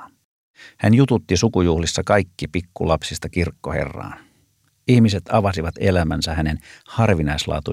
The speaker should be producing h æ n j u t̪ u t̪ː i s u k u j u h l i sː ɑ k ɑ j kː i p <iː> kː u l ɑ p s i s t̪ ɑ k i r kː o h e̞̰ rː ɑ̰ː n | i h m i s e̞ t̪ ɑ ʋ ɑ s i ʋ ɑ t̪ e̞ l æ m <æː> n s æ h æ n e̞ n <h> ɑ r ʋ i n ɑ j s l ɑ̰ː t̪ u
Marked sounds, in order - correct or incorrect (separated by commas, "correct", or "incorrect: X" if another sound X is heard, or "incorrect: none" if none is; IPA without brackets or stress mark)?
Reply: incorrect: i, incorrect: æ, correct